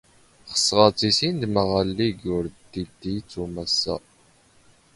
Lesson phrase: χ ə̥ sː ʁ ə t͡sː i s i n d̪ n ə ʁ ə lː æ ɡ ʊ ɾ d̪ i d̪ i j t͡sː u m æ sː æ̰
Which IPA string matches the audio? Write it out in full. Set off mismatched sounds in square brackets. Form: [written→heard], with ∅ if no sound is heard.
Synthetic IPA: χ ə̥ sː ʁ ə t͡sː i s i n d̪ [n→m] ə ʁ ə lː [æ→i] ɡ ʊ ɾ d̪ i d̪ i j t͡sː u m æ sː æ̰

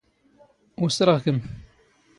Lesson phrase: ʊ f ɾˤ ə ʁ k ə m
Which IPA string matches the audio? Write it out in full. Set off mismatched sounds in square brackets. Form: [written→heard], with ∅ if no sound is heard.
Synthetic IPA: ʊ [f→s] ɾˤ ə ʁ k ə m

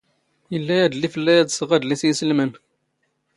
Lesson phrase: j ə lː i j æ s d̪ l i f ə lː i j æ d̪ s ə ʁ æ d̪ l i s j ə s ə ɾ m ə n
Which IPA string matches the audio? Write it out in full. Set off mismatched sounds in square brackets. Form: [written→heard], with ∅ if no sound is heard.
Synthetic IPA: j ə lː [i→æ] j æ [s→∅] d̪ l i f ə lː [i→æ] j æ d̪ s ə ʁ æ d̪ l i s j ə s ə [ɾ→l] m ə n

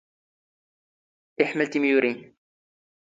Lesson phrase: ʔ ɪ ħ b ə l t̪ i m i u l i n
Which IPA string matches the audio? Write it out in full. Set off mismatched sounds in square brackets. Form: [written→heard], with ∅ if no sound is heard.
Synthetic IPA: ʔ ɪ ħ [b→m] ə l t̪ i m [i→j] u [l→ɾ] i n

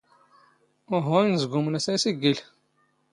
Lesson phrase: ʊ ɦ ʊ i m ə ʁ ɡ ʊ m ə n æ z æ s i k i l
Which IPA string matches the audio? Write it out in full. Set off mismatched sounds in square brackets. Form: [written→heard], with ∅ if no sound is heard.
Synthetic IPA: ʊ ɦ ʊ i [m→n] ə [ʁ→z] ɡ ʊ m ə n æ [z→s] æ s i [k→ɡ] i l

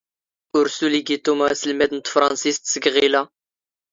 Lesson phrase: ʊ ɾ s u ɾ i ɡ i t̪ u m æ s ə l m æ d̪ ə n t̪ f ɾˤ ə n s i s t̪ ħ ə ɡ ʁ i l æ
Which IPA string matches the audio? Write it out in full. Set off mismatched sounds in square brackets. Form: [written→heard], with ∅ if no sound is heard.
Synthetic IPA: ʊ ɾ s u [ɾ→l] i ɡ i t̪ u m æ s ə l m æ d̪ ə n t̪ f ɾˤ [ə→ɑ] n s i s t̪ [ħ→s] ə ɡ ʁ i l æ

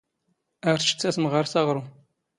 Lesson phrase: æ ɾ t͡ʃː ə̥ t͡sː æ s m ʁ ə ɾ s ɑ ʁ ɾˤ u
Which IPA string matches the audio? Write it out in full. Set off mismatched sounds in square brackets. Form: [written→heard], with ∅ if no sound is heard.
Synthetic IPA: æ ɾ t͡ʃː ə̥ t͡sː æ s m ʁ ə ɾ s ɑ ʁ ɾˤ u

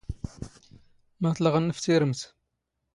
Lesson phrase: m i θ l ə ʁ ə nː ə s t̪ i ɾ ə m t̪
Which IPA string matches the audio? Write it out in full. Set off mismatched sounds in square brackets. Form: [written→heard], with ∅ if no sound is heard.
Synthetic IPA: m [i→æ] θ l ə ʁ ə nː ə [s→f] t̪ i ɾ ə m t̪

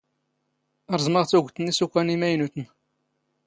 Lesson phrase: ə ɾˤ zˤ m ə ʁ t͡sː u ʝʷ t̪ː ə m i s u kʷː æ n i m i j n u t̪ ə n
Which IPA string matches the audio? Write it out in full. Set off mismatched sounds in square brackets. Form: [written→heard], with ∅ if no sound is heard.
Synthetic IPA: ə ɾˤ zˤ m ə ʁ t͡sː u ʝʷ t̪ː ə [m→n] i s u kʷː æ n i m [i→æ] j n u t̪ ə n

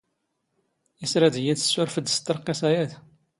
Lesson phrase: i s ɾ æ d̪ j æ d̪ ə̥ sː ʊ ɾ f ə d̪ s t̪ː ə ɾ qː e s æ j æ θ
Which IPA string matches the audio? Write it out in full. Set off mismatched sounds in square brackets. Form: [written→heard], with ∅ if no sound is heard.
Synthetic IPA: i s ɾ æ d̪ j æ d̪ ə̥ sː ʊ ɾ f ə d̪ s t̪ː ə ɾ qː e s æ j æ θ

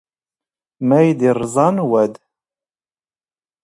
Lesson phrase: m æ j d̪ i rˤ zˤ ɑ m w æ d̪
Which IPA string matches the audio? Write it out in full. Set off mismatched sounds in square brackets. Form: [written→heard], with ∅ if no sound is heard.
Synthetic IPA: m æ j d̪ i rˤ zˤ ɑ [m→n] w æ d̪

